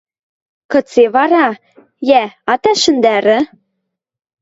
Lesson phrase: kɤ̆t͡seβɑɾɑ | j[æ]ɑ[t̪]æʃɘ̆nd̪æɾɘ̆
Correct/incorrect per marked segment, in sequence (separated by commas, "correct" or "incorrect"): correct, correct